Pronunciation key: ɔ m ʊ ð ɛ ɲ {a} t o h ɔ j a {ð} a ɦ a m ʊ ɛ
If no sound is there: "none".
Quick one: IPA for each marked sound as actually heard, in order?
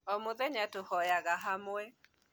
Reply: a, ɣ

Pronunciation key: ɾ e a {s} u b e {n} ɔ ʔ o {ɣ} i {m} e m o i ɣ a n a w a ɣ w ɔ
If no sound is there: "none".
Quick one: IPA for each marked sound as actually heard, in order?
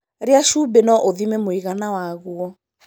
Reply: ʃ, n, ð, m

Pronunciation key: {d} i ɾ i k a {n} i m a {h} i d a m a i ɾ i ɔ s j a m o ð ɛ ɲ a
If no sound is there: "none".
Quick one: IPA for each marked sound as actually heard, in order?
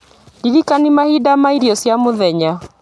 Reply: d, n, h

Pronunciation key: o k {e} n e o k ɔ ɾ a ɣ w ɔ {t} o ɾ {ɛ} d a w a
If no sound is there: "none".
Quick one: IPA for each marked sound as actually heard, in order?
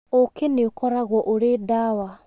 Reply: e, ʔ, e

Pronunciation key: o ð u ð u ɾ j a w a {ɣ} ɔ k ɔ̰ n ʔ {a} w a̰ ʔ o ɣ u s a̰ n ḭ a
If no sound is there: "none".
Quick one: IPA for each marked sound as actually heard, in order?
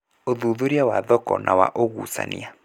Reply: ð, a

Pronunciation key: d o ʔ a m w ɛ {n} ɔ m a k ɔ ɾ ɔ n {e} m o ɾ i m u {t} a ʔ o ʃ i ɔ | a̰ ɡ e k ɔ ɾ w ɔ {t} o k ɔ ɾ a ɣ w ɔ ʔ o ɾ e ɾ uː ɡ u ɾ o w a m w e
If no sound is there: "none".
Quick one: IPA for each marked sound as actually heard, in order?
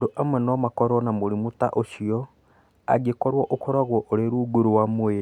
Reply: n, a, t, ʔ

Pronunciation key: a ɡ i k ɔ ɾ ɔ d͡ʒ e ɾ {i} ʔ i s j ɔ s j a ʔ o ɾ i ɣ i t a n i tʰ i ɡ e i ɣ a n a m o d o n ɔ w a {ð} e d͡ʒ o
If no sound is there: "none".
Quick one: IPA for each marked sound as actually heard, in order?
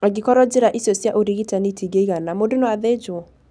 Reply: a, ð

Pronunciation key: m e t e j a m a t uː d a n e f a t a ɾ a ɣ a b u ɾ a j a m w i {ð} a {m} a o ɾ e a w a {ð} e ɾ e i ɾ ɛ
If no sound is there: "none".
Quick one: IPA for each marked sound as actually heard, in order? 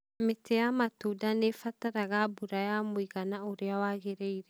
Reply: ɣ, n, ɣ

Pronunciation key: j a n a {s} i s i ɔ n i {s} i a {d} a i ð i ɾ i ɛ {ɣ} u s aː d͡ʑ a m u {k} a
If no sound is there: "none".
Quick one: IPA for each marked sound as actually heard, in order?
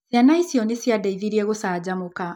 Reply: none, s, d, ɣ, k

